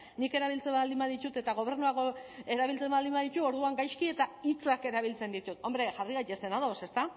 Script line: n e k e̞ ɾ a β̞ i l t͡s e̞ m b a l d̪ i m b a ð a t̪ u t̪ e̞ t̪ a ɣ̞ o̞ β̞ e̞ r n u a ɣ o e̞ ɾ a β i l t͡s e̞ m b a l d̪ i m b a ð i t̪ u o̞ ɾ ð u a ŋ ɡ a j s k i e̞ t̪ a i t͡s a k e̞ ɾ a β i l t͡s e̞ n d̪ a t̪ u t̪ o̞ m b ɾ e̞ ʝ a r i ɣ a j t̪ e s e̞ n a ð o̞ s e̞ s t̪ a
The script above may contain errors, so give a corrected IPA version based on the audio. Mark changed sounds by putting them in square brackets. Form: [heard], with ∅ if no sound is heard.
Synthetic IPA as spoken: n [i] k e̞ ɾ a β̞ i l t͡s e̞ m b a l d̪ i m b a ð [i] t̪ u t̪ e̞ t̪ a ɣ̞ o̞ β̞ e̞ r n u a ɣ o e̞ ɾ a β i l t͡s e̞ m b a l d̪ i m b a ð i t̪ u o̞ ɾ ð u a ŋ ɡ a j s k i e̞ t̪ a i t͡s a k e̞ ɾ a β i l t͡s e̞ n d̪ [i] t̪ u t̪ o̞ m b ɾ e̞ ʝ a r i ɣ a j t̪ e s e̞ n a ð o̞ s e̞ s t̪ a